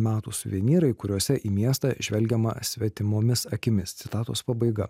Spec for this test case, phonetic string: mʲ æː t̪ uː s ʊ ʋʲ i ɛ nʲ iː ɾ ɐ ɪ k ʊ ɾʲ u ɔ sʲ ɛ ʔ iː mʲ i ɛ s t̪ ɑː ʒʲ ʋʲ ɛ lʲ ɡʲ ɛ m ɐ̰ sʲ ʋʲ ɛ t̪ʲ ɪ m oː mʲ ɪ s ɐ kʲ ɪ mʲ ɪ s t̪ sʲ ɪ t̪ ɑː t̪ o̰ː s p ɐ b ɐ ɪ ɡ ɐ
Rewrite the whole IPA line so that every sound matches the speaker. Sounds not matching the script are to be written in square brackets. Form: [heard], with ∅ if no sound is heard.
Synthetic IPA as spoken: mʲ æː t̪ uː s ʊ ʋʲ i ɛ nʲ iː ɾ ɐ ɪ k ʊ ɾʲ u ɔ sʲ ɛ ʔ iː mʲ i ɛ s t̪ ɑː ʒʲ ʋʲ ɛ lʲ ɡʲ ɛ m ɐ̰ sʲ ʋʲ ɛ t̪ʲ ɪ m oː mʲ ɪ s ɐ kʲ ɪ mʲ ɪ s t̪ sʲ ɪ t̪ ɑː t̪ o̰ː s p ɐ b ɐ ɪ ɡ ɐ

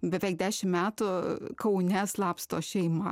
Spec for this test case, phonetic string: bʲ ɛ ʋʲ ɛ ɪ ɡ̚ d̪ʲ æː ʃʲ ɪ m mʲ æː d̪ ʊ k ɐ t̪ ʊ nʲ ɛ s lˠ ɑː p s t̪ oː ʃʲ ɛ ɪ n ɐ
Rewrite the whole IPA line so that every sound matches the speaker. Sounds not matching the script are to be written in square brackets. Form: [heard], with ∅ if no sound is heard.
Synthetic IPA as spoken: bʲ ɛ ʋʲ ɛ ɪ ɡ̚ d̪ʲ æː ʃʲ ɪ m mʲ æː [t̪] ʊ k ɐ [∅] ʊ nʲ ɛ s lˠ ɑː p s t̪ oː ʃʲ ɛ ɪ [m] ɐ

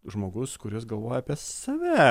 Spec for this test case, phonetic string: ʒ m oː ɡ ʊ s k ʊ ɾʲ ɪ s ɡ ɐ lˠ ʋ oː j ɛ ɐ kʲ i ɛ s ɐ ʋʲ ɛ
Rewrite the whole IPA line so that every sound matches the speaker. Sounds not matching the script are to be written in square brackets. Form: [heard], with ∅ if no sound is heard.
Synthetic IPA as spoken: ʒ m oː ɡ ʊ s k ʊ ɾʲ ɪ s ɡ ɐ lˠ ʋ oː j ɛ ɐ [pʲ] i ɛ s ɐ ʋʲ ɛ

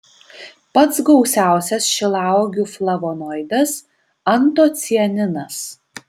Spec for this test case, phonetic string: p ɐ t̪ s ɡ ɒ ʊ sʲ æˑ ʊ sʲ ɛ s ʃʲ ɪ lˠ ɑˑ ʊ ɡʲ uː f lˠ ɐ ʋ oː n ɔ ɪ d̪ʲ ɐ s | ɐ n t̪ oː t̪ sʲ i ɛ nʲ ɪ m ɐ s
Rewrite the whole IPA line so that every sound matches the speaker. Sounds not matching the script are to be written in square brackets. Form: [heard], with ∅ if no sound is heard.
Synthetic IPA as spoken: p ɐ t̪ s ɡ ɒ ʊ sʲ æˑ ʊ sʲ ɛ s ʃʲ ɪ lˠ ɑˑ ʊ ɡʲ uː f lˠ ɐ ʋ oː n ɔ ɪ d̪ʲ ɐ s | ɐ n t̪ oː t̪ sʲ i ɛ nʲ ɪ [n] ɐ s

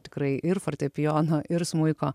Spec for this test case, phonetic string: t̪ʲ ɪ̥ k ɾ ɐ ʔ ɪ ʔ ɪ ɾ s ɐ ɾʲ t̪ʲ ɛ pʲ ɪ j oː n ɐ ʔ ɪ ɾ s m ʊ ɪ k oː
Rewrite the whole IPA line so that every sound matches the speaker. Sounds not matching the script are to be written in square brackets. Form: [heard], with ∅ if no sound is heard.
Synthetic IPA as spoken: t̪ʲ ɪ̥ k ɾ ɐ [∅] ɪ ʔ ɪ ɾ [f] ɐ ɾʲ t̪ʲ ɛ pʲ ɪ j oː n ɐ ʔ ɪ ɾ s m ʊ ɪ k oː

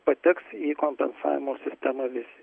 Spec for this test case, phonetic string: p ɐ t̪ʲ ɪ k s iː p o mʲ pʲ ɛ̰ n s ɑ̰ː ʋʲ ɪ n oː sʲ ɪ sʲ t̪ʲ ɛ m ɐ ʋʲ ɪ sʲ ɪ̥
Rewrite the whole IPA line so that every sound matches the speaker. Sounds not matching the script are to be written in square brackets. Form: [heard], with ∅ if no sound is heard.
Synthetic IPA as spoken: p ɐ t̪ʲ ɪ k s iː [k] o mʲ pʲ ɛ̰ n s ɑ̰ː ʋʲ ɪ [m] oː sʲ ɪ sʲ t̪ʲ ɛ m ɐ ʋʲ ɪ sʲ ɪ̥

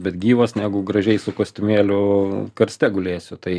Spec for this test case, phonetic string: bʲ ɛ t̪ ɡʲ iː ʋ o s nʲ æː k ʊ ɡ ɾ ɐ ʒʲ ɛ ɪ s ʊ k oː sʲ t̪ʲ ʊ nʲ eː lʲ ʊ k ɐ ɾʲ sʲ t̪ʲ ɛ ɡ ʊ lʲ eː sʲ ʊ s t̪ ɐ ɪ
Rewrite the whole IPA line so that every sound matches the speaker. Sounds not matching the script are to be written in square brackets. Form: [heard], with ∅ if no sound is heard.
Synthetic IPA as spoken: bʲ ɛ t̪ ɡʲ iː ʋ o s nʲ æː [ɡ] ʊ ɡ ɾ ɐ ʒʲ ɛ ɪ s ʊ k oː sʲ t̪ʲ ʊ [mʲ] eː lʲ ʊ k ɐ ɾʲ sʲ t̪ʲ ɛ ɡ ʊ lʲ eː sʲ ʊ [∅] t̪ ɐ ɪ

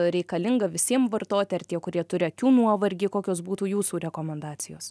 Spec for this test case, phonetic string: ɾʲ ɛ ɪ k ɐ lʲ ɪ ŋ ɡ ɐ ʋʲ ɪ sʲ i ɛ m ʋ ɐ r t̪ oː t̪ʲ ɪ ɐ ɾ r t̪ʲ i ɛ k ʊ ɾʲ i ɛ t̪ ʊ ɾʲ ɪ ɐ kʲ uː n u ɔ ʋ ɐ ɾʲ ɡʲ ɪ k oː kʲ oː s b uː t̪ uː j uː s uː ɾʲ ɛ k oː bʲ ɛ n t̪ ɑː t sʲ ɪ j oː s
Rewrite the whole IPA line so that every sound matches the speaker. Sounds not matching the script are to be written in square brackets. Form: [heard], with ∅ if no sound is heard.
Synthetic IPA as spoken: ɾʲ ɛ ɪ k ɐ lʲ ɪ ŋ ɡ ɐ ʋʲ ɪ sʲ i ɛ m ʋ ɐ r t̪ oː t̪ʲ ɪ ɐ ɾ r t̪ʲ i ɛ k ʊ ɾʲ i ɛ t̪ ʊ ɾʲ ɪ ɐ kʲ uː n u ɔ ʋ ɐ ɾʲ ɡʲ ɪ k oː kʲ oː s b uː t̪ uː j uː s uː ɾʲ ɛ k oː [mʲ] ɛ n [d̪] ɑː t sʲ ɪ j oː s

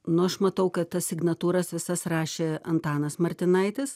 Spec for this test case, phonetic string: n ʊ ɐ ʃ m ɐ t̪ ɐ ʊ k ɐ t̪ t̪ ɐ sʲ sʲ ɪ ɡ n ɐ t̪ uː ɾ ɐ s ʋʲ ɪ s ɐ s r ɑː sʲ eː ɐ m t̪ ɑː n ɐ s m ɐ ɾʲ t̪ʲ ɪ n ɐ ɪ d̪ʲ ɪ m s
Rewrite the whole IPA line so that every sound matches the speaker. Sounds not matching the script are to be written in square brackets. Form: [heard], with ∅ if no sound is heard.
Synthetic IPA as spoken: n ʊ ɐ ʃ m ɐ t̪ ɐ ʊ k ɐ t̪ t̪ ɐ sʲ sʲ ɪ ɡ n ɐ t̪ uː ɾ ɐ s ʋʲ ɪ s ɐ s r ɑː [ʃʲ] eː ɐ [n] t̪ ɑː n ɐ s m ɐ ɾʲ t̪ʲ ɪ n ɐ ɪ [t̪ʲ] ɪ [∅] s

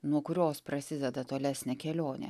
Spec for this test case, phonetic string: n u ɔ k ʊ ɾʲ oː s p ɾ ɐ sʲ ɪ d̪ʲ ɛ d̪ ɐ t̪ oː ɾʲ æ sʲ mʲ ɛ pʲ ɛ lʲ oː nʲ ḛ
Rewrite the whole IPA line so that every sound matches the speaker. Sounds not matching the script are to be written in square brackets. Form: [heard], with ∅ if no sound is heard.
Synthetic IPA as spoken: n u ɔ k ʊ ɾʲ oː s p ɾ ɐ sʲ ɪ d̪ʲ ɛ d̪ ɐ t̪ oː [lʲ] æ sʲ [nʲ] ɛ [kʲ] ɛ lʲ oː nʲ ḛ

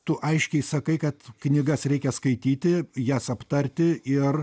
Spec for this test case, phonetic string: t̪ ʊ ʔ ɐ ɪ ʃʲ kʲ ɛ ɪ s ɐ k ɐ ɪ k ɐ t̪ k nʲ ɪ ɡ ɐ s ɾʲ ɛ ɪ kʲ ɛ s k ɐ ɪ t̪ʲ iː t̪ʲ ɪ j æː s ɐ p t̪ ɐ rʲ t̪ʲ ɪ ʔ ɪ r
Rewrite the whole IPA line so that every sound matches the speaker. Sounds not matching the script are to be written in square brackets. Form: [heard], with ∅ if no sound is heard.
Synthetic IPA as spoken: t̪ ʊ ʔ ɐ ɪ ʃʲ kʲ ɛ ɪ s ɐ k ɐ ɪ k ɐ t̪ k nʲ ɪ ɡ ɐ s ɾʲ ɛ ɪ kʲ ɛ s k ɐ ɪ t̪ʲ iː t̪ʲ ɪ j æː s ɐ p t̪ ɐ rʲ t̪ʲ ɪ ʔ ɪ r

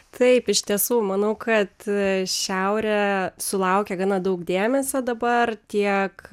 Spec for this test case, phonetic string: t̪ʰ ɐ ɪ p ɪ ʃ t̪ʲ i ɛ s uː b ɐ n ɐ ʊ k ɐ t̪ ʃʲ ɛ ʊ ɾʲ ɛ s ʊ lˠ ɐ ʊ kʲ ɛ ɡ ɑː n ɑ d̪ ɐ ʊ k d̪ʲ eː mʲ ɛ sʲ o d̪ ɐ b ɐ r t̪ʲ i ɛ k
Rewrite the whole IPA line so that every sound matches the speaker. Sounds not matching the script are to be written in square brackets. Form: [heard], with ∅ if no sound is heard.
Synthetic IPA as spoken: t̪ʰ ɐ ɪ p ɪ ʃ t̪ʲ i ɛ s uː [m] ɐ n ɐ ʊ k ɐ t̪ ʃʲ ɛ ʊ ɾʲ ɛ s ʊ lˠ ɐ ʊ kʲ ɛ ɡ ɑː n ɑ d̪ ɐ ʊ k d̪ʲ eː mʲ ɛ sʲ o d̪ ɐ b ɐ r t̪ʲ i ɛ k

